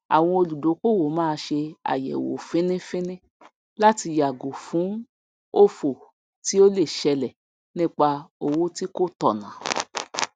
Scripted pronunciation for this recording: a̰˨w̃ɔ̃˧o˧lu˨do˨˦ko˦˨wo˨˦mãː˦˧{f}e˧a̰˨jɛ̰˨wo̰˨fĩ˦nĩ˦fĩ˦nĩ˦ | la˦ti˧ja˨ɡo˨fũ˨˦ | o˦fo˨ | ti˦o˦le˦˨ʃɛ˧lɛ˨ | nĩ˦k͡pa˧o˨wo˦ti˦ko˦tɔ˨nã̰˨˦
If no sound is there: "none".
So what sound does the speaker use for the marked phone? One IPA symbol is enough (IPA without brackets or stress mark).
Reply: ʃ